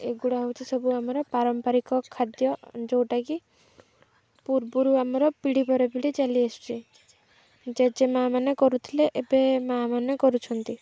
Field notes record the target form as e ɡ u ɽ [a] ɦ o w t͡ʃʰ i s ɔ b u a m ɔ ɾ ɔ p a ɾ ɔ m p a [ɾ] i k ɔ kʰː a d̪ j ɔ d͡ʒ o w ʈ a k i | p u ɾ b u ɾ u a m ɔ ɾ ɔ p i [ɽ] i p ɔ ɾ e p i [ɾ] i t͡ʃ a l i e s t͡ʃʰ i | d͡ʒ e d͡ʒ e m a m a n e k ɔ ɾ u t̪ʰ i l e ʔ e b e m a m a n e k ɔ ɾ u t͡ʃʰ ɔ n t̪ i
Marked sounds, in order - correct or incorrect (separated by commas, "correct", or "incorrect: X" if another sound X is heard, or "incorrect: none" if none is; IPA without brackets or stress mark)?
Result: correct, correct, correct, incorrect: ɽ